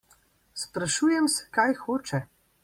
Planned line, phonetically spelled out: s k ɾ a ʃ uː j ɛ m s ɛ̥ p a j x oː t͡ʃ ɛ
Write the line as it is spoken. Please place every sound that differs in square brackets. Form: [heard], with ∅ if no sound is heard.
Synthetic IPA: s [p] ɾ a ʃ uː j ɛ m s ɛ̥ [k] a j x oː t͡ʃ ɛ